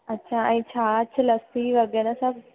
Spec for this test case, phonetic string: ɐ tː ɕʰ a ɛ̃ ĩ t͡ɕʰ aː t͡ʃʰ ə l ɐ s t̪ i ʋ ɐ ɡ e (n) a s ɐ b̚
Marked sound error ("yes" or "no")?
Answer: no